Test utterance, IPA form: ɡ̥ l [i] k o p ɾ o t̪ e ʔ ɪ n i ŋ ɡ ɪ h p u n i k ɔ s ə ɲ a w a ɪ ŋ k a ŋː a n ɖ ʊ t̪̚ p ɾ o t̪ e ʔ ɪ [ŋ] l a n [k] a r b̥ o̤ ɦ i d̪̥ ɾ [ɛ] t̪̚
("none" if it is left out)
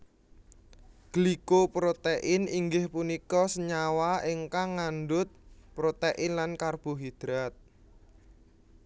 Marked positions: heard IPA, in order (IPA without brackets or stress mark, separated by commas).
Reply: i, n, k, a